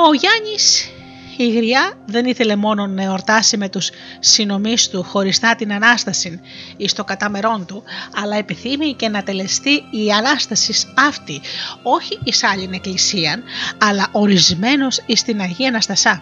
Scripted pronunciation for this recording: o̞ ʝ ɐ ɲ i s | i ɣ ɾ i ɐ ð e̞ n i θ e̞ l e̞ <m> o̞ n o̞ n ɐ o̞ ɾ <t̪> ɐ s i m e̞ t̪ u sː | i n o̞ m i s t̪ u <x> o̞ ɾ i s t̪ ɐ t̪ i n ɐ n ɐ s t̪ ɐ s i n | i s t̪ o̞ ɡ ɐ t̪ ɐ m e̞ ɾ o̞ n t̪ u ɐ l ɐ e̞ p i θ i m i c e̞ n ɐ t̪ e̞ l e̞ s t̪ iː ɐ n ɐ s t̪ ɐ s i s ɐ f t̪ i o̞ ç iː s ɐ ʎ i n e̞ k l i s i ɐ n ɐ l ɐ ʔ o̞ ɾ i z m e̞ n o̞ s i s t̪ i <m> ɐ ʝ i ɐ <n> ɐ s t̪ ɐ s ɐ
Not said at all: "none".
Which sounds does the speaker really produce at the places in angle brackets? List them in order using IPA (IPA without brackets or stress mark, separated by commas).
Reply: m, t̪, x, n, n